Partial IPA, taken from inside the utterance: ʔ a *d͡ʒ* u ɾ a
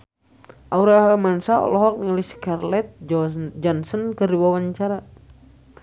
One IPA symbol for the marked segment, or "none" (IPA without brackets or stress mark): none